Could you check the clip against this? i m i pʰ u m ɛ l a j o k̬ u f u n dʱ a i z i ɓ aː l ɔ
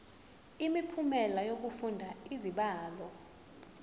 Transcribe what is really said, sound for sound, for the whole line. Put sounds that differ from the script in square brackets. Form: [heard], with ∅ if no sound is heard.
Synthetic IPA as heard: i m i pʰ u m ɛ l a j o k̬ u f u n dʱ a i z i ɓ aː l ɔ